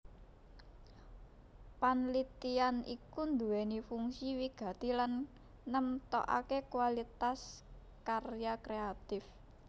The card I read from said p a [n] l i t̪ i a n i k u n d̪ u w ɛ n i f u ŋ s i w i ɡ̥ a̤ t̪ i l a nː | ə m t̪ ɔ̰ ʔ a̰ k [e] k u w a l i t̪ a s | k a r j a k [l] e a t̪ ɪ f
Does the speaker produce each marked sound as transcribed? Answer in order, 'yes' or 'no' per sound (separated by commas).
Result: yes, yes, no